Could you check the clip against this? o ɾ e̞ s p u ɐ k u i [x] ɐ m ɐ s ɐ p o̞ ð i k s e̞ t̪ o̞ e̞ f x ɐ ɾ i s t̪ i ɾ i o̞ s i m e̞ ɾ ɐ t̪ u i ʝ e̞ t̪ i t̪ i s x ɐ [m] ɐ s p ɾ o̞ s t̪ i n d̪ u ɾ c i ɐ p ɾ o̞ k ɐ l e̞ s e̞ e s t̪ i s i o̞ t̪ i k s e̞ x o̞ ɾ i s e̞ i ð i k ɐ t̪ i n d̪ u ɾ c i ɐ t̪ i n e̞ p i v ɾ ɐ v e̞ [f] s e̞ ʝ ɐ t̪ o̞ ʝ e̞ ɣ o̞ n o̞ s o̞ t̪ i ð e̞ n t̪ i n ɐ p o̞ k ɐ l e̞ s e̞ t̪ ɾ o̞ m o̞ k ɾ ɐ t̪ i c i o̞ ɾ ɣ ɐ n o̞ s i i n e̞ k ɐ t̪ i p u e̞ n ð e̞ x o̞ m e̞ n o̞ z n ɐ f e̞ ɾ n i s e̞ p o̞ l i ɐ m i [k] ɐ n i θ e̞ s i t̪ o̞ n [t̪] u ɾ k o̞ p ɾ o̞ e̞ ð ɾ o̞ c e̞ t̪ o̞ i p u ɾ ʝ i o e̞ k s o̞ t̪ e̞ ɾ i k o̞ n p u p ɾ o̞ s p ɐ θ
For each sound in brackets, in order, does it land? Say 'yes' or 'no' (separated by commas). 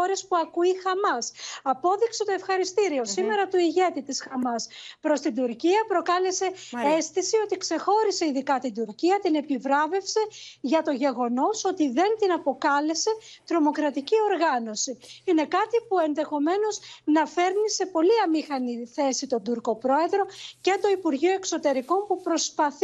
yes, yes, yes, no, no